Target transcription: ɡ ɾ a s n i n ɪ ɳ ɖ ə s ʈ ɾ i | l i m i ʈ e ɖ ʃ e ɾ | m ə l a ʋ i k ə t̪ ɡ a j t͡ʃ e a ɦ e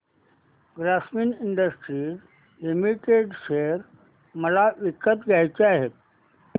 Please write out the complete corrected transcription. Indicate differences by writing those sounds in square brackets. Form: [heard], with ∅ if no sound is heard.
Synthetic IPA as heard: ɡ ɾ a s [m] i n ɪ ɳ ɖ ə s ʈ ɾ i | l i m i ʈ e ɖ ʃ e ɾ | m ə l a ʋ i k ə t̪ ɡ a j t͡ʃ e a ɦ e

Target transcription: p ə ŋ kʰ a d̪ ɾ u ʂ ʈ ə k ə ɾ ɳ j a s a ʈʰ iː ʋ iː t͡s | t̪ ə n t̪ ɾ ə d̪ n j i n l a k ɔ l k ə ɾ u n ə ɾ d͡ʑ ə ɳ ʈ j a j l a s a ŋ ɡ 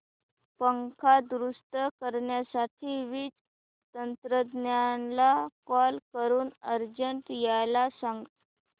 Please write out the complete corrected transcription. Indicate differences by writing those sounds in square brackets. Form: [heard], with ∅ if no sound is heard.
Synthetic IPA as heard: p ə ŋ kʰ a d̪ ɾ u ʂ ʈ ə k ə ɾ ɳ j a s a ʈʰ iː ʋ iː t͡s | t̪ ə n t̪ ɾ ə d̪ n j [a] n l a k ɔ l k ə ɾ [uː] n ə ɾ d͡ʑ ə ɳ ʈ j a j l a s a ŋ ɡ

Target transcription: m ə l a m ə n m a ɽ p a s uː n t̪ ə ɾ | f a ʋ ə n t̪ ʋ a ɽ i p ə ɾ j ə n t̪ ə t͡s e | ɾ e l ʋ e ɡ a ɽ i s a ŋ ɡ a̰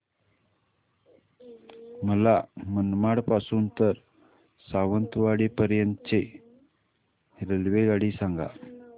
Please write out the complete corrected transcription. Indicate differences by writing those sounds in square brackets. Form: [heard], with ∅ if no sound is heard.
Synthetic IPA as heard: m ə l a m ə n m a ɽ p a s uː n t̪ ə ɾ | [s] a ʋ ə n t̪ ʋ a ɽ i p ə ɾ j ə n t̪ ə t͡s e | ɾ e l ʋ e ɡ a ɽ i s a ŋ ɡ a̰

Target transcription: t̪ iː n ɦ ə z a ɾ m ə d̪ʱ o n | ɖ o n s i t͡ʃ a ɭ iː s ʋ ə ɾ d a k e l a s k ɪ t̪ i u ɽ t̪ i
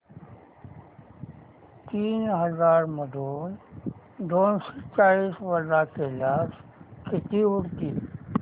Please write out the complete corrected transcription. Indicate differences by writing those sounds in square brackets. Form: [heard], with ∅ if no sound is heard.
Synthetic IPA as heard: t̪ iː n ɦ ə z a ɾ m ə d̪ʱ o n | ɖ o n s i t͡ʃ a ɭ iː s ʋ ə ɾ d a k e l a s k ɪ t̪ i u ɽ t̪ i

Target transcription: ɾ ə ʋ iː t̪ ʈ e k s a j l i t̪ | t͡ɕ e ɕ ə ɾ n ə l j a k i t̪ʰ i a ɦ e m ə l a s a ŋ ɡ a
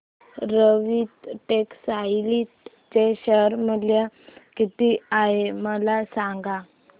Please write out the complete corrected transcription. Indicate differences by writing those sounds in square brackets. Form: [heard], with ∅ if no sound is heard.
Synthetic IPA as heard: ɾ ə ʋ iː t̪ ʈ e k s a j l i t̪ | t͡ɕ e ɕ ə ɾ [m] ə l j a k i [t̪] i a ɦ e m ə l a s a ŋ ɡ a

